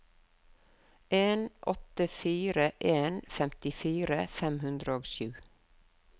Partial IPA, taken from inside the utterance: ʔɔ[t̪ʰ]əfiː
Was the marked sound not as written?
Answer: yes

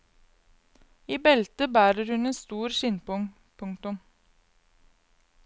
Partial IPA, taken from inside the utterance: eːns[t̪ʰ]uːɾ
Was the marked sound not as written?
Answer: yes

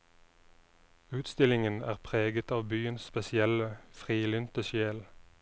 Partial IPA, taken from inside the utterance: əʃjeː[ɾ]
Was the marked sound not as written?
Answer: yes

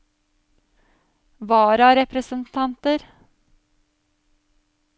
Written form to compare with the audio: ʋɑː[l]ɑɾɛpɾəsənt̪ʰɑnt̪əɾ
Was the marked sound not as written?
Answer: yes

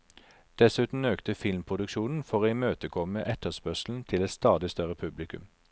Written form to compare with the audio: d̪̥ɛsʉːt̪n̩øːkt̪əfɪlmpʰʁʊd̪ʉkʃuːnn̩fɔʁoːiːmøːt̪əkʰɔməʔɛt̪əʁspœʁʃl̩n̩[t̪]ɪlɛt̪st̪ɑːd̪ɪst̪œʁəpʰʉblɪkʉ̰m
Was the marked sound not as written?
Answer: yes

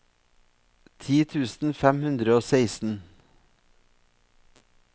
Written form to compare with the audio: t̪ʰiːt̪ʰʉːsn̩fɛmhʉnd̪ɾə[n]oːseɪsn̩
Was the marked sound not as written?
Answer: yes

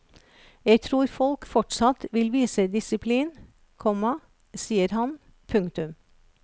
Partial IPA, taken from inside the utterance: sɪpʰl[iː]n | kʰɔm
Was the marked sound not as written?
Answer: no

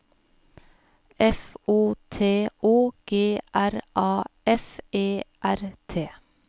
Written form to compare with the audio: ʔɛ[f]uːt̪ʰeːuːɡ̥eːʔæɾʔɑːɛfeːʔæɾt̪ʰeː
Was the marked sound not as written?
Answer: no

